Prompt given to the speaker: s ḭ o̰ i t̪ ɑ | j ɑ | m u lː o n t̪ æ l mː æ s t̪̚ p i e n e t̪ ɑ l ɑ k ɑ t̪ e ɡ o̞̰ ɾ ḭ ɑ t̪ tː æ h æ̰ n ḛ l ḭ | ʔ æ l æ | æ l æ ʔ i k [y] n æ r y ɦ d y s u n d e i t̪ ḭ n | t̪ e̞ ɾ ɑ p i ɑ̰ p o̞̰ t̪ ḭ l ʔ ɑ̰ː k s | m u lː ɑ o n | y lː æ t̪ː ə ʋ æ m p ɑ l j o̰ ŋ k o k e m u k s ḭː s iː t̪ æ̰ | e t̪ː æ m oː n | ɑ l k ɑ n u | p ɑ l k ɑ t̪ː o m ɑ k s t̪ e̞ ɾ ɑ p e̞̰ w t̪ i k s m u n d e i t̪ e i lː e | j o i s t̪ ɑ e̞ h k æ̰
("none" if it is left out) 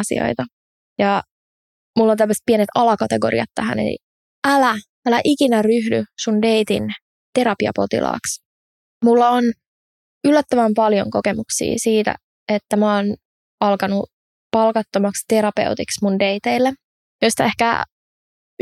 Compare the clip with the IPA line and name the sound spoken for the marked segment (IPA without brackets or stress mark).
i